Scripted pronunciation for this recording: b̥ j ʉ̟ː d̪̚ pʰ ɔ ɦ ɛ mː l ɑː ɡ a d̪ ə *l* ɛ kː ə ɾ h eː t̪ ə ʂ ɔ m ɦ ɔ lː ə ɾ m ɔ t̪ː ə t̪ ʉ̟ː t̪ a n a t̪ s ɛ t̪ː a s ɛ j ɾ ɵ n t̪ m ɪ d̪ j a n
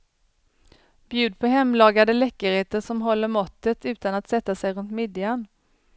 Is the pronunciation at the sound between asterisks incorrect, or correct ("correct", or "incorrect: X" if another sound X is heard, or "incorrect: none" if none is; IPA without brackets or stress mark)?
correct